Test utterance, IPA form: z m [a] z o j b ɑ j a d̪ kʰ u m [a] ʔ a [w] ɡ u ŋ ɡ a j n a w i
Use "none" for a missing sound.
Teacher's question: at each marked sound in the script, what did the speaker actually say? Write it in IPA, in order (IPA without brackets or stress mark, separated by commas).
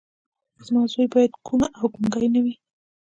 ɑ, a, w